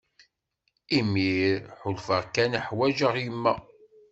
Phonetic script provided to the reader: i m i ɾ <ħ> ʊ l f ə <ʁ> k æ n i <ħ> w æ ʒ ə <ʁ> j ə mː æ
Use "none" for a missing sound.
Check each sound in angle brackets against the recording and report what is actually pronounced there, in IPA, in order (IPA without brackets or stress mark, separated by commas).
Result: ħ, ʁ, ħ, ʁ